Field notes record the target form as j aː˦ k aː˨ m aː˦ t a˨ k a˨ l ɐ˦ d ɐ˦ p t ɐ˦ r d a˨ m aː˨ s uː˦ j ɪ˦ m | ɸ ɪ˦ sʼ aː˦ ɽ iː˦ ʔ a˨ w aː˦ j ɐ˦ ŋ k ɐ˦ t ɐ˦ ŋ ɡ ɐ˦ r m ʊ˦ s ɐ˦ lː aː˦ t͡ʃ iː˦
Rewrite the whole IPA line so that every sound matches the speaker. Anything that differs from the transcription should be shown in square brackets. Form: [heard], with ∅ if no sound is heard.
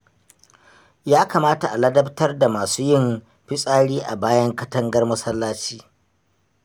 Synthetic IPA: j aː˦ k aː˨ m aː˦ t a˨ [ʔ] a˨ l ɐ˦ d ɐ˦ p t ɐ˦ r d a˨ m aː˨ s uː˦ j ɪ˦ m | ɸ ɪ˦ sʼ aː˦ ɽ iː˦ ʔ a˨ [b] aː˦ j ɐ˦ ŋ k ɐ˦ t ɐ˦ ŋ ɡ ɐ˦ r m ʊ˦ s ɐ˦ lː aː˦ t͡ʃ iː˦